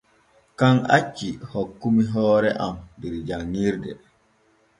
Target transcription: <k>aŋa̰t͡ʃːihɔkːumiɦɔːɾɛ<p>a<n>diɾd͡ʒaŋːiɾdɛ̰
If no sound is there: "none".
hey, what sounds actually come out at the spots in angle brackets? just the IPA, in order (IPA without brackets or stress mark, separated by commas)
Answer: k, ʔ, m